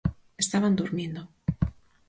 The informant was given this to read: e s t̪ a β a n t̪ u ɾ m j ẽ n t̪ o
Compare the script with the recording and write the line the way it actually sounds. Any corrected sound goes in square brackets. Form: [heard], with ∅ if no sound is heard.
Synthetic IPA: e s t̪ a β a n [d̪] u ɾ m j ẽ n [d̪] o

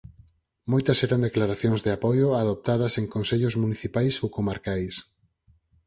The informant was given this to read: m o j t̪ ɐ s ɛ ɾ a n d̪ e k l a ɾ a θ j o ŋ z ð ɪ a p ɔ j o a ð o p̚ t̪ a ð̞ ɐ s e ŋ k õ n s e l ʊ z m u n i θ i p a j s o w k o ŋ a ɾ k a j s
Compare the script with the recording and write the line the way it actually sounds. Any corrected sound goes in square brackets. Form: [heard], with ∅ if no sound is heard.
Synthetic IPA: m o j t̪ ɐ s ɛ ɾ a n d̪ e k l a ɾ a θ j o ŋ z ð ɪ a p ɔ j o a ð o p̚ t̪ a ð̞ ɐ s e ŋ k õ n s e [ʎ] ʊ z m u n i θ i p a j s o w k o [m] a ɾ k a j s

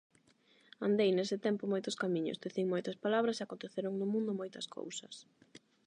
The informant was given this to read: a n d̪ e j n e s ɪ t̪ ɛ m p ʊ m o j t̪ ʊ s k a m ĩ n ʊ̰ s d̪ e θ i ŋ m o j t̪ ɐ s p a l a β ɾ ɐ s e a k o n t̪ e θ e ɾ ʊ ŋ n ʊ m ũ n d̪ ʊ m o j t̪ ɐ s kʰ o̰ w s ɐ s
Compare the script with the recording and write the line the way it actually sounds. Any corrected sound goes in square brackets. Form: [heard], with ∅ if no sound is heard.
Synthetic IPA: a n d̪ e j n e s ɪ t̪ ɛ m p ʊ m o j t̪ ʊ s k a m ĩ [ɲ] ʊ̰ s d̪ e θ i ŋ m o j t̪ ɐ s p a l a β ɾ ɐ s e a k o n t̪ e θ e ɾ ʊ ŋ n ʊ m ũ n d̪ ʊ m o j t̪ ɐ s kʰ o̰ w s ɐ s

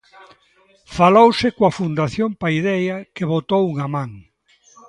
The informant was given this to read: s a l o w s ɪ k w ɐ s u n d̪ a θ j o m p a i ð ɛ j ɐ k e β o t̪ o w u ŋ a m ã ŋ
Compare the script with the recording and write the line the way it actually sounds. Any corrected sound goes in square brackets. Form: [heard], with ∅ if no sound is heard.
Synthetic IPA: [f] a l o w s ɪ k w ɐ [f] u n d̪ a θ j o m p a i ð ɛ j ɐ k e β o t̪ o w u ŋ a m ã ŋ

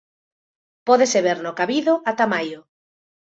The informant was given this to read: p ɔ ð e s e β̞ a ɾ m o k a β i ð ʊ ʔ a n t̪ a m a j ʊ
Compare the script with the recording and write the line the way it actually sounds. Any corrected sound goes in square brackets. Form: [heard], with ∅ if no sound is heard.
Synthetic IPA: p ɔ ð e s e β̞ [e] ɾ [n] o k a β i ð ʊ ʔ a [∅] t̪ a m a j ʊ

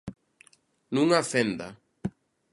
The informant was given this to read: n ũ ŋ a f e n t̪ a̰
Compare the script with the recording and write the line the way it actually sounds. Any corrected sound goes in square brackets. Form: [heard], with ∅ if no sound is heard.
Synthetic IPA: n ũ ŋ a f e n [d̪] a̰

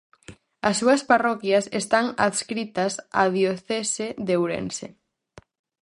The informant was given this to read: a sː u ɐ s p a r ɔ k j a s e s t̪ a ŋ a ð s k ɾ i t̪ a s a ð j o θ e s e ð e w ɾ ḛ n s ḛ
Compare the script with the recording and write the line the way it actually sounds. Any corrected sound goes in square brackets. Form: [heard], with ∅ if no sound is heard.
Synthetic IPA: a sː u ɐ s p a r ɔ k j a s e s t̪ a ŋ a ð s k ɾ i t̪ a s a ð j o θ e s e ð e w ɾ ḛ n s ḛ

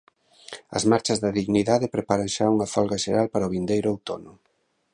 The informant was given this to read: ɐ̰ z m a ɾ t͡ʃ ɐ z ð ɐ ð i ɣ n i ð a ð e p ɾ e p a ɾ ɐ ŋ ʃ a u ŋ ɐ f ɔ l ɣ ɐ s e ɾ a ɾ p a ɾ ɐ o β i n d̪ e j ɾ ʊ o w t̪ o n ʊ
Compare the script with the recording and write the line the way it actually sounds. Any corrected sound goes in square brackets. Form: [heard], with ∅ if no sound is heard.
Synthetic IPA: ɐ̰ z m a ɾ t͡ʃ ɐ z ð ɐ ð i ɣ n i ð a ð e p ɾ e p a ɾ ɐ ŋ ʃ a u ŋ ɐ f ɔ l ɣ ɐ [ʃ] e ɾ a [l] p a ɾ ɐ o β i n d̪ e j ɾ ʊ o w t̪ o n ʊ

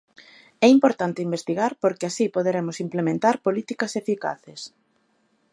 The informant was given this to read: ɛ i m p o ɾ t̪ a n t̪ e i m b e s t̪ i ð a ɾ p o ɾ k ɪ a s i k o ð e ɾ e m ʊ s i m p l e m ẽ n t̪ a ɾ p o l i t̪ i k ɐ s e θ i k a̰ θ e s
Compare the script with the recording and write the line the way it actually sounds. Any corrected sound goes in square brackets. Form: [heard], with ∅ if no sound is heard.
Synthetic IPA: ɛ i m p o ɾ t̪ a n t̪ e i m b e s t̪ i [ɣ] a ɾ p o ɾ k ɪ a s i [p] o ð e ɾ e m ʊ s i m p l e m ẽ n t̪ a ɾ p o l i t̪ i k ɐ s e [f] i k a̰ θ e s

